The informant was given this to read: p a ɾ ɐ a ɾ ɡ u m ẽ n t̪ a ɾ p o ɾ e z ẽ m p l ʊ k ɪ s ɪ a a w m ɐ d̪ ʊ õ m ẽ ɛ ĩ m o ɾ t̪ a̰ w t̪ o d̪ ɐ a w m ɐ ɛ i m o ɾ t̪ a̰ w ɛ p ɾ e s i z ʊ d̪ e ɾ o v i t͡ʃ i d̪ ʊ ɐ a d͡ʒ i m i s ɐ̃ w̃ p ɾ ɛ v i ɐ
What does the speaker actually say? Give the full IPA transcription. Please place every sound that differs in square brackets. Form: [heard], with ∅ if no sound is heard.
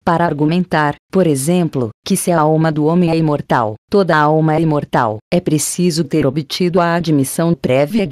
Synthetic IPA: p a ɾ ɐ a ɾ ɡ u m ẽ n t̪ a ɾ p o ɾ e z ẽ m p l ʊ k ɪ s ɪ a a w m ɐ d̪ ʊ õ m ẽ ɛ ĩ m o ɾ t̪ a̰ w t̪ o d̪ ɐ a w m ɐ ɛ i m o ɾ t̪ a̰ w ɛ p ɾ e s i z ʊ [t̪] e ɾ o [b] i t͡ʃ i d̪ ʊ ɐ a d͡ʒ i m i s ɐ̃ w̃ p ɾ ɛ v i ɐ